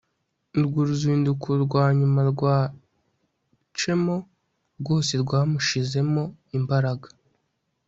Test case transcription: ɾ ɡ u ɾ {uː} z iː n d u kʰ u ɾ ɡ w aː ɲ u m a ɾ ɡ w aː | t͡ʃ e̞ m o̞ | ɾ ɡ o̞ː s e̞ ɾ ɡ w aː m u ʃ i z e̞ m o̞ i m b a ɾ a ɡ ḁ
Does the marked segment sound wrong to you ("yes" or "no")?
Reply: yes